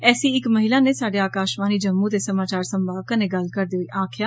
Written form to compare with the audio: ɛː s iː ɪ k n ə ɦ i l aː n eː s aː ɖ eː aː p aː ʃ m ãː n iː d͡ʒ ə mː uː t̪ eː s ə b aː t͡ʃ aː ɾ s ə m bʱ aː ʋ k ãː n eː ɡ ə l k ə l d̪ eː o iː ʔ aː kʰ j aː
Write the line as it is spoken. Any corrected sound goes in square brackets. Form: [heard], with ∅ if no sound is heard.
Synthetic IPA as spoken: ɛː s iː ɪ k [m] ə ɦ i l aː n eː s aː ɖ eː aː [k] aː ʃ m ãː n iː d͡ʒ ə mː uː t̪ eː s ə [m] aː t͡ʃ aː ɾ s ə m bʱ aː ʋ k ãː n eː ɡ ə l k ə [ɾ] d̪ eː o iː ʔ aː kʰ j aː